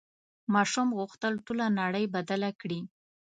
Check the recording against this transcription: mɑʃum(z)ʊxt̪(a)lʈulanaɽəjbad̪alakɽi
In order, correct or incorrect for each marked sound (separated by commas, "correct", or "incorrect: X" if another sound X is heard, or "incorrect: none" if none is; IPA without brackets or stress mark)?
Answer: incorrect: ɣ, incorrect: ə